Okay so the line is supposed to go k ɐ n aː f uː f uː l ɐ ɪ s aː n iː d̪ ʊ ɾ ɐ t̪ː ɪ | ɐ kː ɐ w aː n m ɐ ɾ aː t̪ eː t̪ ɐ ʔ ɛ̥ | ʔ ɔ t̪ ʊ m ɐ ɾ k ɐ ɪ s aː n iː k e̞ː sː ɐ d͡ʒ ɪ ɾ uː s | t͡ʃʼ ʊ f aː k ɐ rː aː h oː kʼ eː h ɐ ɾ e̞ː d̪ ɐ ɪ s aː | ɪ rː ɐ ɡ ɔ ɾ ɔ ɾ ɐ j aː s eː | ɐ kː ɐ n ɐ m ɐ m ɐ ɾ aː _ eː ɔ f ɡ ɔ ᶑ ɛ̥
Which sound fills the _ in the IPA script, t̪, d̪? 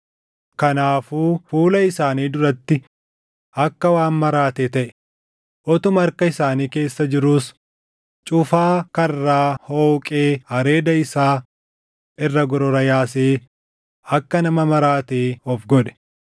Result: t̪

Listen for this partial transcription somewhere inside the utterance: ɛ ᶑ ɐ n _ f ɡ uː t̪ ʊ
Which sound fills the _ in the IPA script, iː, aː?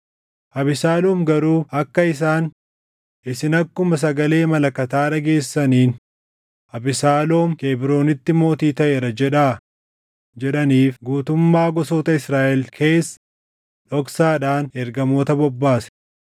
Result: iː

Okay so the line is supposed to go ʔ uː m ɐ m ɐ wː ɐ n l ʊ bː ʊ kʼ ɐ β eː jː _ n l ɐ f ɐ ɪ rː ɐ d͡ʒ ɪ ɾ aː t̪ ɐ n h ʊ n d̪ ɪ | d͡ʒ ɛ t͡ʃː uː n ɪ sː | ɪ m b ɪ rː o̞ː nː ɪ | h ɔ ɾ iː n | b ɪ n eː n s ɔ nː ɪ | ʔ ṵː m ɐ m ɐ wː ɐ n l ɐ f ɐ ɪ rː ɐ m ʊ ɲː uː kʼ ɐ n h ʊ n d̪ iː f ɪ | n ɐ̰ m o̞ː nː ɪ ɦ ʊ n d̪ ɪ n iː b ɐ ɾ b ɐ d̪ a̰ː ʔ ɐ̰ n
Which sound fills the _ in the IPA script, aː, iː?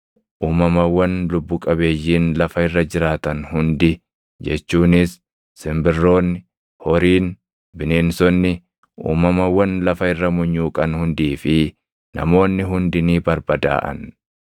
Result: iː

